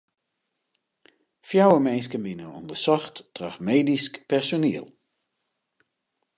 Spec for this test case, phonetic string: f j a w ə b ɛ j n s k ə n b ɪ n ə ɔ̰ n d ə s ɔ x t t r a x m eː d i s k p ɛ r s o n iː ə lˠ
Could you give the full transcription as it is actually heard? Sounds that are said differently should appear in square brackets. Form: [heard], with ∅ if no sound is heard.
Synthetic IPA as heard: f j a w ə [m] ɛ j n s k ə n b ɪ n ə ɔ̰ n d ə s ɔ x t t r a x m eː d i s k p ɛ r s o n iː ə lˠ